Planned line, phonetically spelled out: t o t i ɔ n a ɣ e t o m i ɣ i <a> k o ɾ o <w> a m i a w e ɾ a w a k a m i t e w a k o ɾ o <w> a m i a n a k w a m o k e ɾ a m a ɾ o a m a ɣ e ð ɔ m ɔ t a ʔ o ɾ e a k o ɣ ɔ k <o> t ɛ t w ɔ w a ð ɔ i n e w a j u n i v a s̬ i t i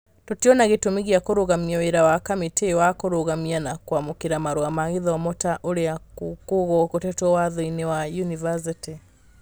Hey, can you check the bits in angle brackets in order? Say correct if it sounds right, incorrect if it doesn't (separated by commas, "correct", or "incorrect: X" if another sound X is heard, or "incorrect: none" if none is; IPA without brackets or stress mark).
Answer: correct, incorrect: ɣ, incorrect: ɣ, correct